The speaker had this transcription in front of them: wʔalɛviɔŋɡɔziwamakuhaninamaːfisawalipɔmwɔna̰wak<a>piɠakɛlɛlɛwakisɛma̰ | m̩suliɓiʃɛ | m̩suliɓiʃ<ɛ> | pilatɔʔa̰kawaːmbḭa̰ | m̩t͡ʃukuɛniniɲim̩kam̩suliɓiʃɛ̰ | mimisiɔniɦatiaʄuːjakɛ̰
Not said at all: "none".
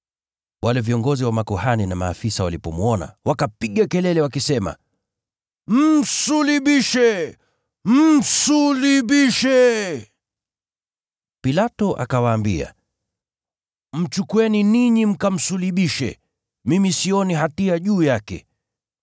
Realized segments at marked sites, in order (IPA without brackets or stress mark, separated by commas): a, ɛ